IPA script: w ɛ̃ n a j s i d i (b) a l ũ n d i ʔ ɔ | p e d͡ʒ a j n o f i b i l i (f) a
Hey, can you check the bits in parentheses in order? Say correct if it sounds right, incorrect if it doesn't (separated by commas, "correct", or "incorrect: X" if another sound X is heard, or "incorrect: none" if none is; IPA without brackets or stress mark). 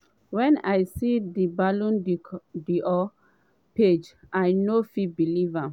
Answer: correct, incorrect: v